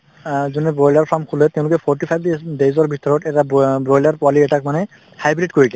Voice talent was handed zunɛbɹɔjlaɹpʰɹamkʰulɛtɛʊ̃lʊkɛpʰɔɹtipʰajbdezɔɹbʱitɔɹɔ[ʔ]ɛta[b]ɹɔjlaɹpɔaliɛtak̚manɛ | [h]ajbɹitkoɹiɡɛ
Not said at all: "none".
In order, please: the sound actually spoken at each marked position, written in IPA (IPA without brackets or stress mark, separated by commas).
t, b, h